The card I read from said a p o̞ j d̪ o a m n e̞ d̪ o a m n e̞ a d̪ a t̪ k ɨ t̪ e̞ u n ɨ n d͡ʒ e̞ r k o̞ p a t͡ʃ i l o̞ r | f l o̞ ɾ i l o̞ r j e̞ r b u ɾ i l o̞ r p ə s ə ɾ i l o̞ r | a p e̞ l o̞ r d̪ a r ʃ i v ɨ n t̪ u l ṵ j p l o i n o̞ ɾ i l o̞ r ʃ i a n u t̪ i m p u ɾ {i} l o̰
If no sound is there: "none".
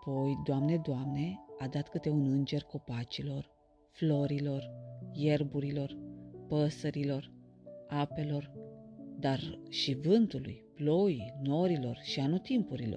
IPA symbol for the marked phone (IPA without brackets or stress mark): i